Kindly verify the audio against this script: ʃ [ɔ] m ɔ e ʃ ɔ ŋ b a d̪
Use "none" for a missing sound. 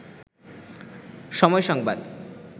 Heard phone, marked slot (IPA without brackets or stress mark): ɔ